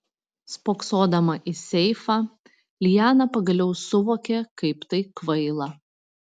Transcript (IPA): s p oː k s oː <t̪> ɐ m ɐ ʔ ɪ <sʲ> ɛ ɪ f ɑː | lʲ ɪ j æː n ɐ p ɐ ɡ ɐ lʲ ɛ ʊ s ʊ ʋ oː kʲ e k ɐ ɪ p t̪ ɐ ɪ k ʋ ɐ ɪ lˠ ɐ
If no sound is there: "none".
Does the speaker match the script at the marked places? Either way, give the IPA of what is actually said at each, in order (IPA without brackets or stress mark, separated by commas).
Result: d̪, sʲ